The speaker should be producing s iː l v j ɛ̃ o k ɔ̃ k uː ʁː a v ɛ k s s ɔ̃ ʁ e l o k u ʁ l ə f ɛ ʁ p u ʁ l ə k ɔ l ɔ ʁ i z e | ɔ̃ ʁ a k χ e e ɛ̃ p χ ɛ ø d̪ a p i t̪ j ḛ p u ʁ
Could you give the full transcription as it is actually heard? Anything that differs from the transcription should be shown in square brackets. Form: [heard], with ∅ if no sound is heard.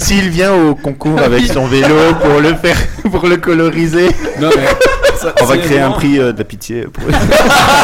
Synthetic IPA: s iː l v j ɛ̃ o k ɔ̃ k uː [ʁ] a v ɛ k s s ɔ̃ [v] e l o [p] u ʁ l ə f ɛ ʁ p u ʁ l ə k ɔ l ɔ ʁ i z e | ɔ̃ [v] a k χ e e ɛ̃ p χ [i] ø d̪ a p i t̪ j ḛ p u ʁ